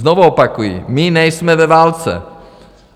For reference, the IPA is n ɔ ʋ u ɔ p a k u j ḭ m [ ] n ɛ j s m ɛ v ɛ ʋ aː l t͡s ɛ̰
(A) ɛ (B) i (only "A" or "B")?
B